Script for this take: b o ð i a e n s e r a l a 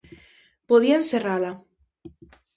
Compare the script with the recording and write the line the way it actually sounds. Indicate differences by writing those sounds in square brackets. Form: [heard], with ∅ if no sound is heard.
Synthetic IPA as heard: [p] o ð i a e n s e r a l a

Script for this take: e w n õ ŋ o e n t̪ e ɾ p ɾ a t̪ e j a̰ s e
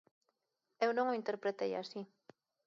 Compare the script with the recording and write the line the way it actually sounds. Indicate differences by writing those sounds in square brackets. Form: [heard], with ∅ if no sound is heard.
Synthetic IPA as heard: e w n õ ŋ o [i] n t̪ e ɾ p ɾ [e] t̪ e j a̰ s [i]

